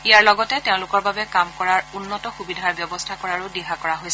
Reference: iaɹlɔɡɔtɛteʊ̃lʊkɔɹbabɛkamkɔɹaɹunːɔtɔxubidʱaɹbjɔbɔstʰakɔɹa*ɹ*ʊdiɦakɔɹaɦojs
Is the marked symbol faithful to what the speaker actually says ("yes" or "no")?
yes